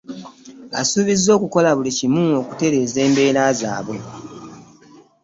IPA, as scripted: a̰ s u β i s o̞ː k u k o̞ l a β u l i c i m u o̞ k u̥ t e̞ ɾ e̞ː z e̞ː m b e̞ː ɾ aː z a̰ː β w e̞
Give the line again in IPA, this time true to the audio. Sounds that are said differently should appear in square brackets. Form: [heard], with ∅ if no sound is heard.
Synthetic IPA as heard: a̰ s u β i [z] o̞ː k u k o̞ l a β u l i c i m u o̞ k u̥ t e̞ ɾ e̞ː z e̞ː m b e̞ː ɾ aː z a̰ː β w e̞

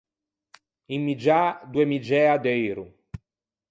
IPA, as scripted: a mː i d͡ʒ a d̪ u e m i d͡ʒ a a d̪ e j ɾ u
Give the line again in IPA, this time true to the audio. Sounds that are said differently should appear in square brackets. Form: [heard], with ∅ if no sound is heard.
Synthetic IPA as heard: [i] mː i d͡ʒ a d̪ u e m i d͡ʒ [ɛ] a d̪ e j ɾ u

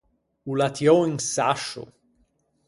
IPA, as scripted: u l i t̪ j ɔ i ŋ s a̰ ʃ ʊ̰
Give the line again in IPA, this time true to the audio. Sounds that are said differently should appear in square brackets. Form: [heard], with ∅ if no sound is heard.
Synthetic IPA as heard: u l [a] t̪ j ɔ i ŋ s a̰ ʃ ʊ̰

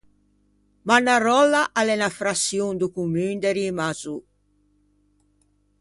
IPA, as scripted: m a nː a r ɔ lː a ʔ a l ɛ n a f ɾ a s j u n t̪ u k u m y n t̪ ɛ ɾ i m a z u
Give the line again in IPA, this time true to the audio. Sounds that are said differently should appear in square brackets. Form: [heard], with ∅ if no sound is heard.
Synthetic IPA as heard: m a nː a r ɔ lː a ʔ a l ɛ n a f ɾ a s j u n [d̪] u k u m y n [d̪] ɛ ɾ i m a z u

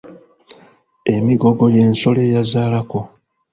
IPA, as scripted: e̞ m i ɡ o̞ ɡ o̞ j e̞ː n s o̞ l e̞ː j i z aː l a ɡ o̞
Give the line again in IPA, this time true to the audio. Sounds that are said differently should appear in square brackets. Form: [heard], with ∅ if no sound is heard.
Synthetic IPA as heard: e̞ m i ɡ o̞ ɡ o̞ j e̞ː n s o̞ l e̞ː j [a] z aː l a [k] o̞

